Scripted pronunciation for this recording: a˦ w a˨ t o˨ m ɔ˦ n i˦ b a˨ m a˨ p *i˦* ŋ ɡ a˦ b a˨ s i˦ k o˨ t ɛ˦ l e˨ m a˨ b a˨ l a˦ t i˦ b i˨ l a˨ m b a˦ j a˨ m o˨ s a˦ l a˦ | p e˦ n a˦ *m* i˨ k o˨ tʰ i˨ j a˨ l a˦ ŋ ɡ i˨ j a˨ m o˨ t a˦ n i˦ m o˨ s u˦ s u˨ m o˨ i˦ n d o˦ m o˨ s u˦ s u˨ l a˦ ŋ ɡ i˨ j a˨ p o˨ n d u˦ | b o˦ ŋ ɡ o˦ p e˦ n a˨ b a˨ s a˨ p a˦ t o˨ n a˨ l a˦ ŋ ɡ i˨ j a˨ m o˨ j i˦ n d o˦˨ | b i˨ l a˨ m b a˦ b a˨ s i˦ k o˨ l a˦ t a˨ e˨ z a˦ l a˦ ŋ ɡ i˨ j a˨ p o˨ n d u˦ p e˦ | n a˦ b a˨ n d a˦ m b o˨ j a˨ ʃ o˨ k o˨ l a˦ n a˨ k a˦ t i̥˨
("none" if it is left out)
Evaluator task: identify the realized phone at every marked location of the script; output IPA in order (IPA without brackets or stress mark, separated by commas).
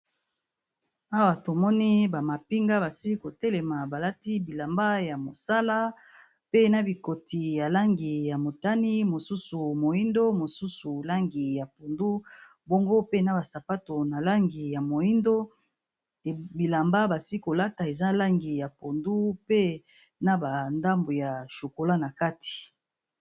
i˦, b